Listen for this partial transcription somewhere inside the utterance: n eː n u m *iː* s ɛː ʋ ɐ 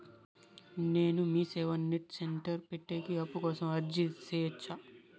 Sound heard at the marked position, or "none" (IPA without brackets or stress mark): iː